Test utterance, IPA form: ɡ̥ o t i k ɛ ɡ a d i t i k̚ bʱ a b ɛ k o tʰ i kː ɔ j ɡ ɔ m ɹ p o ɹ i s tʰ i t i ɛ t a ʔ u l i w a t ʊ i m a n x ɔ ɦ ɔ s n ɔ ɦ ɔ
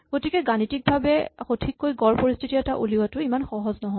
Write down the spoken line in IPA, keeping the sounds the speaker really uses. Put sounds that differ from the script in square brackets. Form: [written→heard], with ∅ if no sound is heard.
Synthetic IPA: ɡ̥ o t i k ɛ ɡ a [d→n] i t i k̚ bʱ a b ɛ [k→x] o tʰ i kː [ɔ→o] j ɡ ɔ [m→∅] ɹ p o ɹ i s tʰ i t i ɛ t a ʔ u l i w a t ʊ i m a n x ɔ ɦ ɔ [s→z] n ɔ ɦ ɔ